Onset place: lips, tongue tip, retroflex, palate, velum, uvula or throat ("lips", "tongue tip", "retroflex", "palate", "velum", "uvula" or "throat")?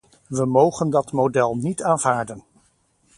lips